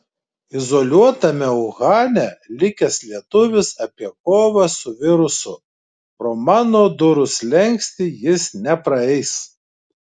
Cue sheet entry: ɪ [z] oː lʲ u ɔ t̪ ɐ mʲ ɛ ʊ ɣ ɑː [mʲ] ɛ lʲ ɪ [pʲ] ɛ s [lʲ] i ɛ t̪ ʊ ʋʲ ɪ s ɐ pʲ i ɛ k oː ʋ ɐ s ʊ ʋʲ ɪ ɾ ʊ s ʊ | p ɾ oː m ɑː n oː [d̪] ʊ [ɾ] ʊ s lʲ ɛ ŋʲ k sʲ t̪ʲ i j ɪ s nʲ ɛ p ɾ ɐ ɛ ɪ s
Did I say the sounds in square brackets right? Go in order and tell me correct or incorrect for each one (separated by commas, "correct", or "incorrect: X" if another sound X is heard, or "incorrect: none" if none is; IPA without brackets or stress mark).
correct, incorrect: nʲ, incorrect: kʲ, correct, correct, correct